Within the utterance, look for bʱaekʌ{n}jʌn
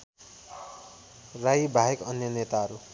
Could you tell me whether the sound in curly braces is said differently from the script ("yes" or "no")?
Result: no